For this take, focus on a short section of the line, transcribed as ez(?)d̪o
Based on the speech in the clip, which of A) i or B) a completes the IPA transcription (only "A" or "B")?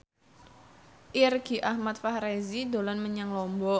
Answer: A